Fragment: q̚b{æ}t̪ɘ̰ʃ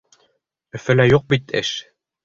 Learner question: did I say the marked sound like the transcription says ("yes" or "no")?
no